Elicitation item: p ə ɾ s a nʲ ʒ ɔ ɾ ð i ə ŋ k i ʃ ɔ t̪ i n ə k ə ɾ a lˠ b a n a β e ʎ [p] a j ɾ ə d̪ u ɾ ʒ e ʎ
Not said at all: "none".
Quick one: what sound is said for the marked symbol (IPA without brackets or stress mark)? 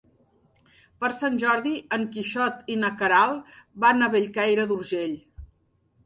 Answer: k